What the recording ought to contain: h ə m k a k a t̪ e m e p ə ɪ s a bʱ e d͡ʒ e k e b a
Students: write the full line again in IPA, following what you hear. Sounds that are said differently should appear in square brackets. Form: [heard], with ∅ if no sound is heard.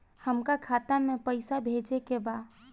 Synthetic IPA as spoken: h ə m k a [kʰ] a t̪ [a] m e p ə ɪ s a bʱ e d͡ʒ e k e b a